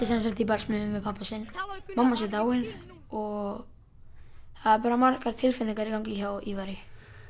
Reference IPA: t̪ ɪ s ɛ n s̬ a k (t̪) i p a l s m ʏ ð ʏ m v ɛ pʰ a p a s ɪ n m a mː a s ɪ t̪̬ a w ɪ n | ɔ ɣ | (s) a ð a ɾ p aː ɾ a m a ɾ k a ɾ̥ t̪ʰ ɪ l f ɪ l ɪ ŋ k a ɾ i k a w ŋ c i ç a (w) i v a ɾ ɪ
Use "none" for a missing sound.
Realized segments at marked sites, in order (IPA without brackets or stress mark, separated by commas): t̪, θ, w